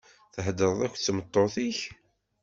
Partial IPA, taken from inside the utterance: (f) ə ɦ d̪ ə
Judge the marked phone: incorrect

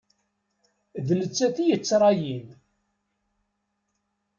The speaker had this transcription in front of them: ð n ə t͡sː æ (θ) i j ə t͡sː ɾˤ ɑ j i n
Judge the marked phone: correct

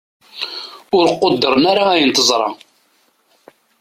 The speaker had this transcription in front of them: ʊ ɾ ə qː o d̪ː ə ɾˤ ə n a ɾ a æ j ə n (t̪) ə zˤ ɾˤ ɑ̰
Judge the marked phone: correct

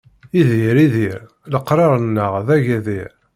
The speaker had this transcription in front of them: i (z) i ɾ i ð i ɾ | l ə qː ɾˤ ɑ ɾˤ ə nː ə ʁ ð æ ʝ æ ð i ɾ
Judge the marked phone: incorrect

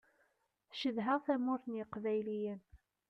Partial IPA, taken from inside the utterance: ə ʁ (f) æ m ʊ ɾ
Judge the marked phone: incorrect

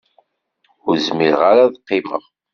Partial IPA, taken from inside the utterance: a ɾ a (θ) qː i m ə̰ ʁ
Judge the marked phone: incorrect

